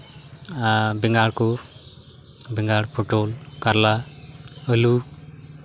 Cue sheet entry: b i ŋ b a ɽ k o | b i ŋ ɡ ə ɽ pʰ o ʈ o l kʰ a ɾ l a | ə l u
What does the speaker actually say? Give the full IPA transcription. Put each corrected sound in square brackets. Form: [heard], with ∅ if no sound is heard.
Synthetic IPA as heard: b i ŋ [ɡ] a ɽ k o | b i ŋ ɡ [a] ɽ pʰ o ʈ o l [k] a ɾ l a | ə l u